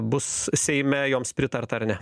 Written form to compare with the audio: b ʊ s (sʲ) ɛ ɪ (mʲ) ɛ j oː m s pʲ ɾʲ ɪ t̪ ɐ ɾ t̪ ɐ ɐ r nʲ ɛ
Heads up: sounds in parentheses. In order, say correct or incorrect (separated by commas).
correct, correct